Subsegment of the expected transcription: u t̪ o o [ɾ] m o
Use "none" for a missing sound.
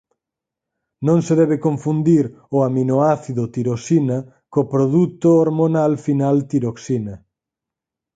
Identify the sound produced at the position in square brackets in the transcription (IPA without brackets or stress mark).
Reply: ɾ